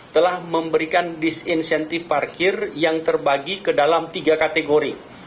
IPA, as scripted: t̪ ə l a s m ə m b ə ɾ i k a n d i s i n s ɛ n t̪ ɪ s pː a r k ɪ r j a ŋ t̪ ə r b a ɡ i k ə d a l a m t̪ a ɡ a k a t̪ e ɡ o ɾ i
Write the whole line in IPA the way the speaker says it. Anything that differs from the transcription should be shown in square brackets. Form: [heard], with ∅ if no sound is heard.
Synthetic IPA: t̪ ə l a [h] m ə m b ə ɾ i k a n d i s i n s ɛ n t̪ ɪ [f] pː a r k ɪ r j a ŋ t̪ ə r b a ɡ i k ə d a l a m t̪ [i] ɡ a k a t̪ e ɡ o ɾ i